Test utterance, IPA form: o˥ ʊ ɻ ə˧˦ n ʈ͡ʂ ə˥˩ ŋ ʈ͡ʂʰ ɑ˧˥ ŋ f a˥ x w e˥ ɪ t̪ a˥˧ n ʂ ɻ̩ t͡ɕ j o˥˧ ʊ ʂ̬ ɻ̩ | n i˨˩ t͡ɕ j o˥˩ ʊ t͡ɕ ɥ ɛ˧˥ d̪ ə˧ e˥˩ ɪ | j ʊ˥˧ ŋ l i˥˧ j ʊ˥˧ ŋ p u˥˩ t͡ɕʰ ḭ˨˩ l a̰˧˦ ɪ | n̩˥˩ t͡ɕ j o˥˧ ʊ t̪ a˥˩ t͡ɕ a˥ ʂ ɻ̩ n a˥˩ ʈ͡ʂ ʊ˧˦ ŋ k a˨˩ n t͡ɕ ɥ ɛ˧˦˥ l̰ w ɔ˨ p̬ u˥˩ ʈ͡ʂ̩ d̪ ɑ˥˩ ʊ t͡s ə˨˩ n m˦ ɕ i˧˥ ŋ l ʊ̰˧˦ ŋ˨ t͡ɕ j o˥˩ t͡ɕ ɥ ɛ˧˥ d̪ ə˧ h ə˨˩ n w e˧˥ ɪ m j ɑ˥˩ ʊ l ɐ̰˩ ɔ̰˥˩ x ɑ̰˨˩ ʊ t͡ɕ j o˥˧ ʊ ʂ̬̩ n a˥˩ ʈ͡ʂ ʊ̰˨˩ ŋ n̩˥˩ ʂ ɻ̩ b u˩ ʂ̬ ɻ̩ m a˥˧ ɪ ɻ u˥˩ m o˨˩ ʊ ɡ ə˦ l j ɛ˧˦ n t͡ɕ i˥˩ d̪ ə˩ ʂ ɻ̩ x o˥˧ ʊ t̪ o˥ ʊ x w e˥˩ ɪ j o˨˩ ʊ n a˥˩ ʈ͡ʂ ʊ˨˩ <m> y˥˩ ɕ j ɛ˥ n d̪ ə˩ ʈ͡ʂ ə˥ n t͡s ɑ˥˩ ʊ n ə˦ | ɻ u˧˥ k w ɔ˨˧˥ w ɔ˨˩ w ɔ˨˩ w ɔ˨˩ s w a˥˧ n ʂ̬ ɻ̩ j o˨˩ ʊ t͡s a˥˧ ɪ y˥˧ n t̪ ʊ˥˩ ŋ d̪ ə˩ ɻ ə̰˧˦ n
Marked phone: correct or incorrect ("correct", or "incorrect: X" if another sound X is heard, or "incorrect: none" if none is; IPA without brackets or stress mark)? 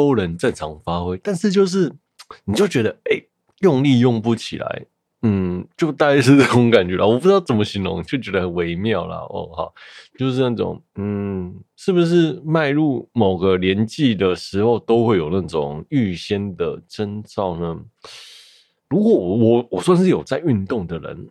incorrect: ŋ